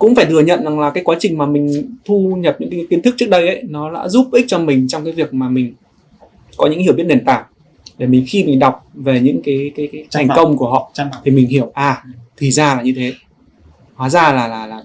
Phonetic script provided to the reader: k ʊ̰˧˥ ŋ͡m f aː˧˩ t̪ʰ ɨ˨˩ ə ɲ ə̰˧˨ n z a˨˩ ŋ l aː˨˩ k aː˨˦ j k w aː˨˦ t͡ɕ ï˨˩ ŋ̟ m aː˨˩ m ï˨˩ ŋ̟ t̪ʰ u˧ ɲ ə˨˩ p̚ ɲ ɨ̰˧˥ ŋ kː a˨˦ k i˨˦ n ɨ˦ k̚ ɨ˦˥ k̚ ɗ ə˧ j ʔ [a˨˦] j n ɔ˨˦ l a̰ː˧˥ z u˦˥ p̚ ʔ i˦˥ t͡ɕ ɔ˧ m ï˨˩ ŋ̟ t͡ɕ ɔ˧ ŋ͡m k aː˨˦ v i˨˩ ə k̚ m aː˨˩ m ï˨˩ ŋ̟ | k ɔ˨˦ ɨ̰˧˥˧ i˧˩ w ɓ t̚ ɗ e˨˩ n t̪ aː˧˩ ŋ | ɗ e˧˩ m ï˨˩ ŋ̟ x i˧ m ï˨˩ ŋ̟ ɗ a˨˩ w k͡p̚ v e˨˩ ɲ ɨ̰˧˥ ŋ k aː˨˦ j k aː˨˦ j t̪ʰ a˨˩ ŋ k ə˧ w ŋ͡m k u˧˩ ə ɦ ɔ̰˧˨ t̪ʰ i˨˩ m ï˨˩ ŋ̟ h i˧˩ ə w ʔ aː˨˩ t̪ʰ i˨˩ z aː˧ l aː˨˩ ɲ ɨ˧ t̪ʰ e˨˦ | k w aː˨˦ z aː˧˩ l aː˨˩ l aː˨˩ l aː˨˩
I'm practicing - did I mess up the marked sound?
yes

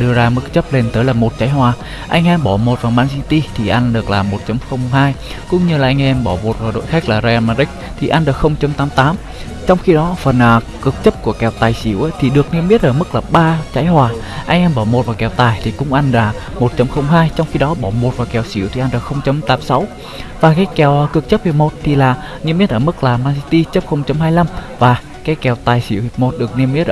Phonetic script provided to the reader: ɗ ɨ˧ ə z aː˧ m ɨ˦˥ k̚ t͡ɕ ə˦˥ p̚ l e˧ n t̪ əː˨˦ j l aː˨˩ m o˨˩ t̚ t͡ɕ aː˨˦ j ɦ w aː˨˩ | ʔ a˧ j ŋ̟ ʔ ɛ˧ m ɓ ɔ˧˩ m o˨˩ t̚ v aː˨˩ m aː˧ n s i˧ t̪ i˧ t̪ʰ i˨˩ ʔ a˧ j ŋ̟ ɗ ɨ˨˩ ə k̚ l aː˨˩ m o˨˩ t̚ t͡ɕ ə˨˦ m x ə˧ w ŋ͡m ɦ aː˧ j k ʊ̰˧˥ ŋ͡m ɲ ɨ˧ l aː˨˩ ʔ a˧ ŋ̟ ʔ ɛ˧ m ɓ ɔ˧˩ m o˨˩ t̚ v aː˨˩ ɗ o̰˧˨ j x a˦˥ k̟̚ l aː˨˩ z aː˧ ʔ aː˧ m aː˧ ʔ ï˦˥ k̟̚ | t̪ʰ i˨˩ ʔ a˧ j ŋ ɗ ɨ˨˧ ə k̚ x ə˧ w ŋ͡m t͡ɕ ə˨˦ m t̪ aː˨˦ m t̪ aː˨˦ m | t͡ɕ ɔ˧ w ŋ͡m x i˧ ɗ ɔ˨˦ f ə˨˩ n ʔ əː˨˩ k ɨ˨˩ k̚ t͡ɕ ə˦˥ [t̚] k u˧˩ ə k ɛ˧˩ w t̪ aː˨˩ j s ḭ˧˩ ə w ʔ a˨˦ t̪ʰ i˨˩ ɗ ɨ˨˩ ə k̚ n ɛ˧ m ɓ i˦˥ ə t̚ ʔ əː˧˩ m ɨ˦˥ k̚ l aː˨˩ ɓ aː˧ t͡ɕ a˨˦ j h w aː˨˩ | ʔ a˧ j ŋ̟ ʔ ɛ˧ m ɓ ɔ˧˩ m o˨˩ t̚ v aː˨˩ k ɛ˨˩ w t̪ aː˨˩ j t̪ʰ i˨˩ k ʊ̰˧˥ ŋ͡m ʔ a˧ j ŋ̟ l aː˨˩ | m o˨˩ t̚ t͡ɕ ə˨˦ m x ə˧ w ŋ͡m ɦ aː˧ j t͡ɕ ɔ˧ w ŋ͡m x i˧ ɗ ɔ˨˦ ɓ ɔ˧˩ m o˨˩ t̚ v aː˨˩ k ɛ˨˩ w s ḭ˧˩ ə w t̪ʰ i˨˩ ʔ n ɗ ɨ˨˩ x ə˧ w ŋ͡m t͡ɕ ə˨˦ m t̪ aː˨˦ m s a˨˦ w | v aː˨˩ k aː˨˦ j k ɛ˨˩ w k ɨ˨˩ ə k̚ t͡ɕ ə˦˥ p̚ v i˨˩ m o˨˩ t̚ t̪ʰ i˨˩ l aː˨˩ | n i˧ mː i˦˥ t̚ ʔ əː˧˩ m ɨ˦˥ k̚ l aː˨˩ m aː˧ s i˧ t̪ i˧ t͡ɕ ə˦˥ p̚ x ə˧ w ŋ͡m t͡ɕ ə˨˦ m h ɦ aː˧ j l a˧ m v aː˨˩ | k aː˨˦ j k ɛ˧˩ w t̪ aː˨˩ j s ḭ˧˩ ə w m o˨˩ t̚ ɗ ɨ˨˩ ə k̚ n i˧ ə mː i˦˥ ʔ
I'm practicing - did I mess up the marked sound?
yes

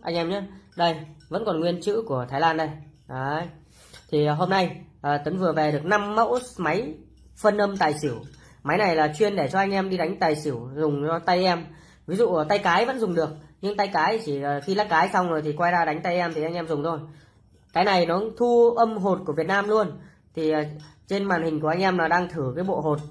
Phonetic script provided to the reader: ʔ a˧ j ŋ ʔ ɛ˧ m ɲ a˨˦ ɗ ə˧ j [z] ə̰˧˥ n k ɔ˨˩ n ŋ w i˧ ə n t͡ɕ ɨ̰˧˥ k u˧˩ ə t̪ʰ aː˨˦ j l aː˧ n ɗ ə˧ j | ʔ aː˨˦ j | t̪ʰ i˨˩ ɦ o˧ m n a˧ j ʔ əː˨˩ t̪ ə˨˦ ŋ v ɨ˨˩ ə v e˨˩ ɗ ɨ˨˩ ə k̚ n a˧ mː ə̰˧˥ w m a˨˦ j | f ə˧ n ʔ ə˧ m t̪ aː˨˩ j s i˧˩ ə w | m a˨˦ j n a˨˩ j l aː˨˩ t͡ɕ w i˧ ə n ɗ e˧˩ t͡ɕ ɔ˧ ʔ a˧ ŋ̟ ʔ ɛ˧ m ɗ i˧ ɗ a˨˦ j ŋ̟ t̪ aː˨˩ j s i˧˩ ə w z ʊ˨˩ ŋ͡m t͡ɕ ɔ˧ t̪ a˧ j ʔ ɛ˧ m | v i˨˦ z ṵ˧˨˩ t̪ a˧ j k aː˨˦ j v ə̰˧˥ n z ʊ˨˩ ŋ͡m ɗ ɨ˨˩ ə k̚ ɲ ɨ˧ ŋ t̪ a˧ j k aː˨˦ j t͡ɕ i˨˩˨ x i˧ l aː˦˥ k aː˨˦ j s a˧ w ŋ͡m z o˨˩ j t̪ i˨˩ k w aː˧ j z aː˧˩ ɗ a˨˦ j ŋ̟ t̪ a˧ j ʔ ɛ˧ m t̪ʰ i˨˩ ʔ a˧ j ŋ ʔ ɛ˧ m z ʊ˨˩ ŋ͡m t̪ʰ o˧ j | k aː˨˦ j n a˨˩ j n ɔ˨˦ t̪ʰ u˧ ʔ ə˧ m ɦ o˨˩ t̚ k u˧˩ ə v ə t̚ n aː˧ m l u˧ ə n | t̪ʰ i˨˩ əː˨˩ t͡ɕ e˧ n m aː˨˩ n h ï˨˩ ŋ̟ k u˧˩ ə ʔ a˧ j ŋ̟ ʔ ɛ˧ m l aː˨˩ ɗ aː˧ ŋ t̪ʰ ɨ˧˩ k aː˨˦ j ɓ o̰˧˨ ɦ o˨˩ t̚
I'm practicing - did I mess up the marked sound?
yes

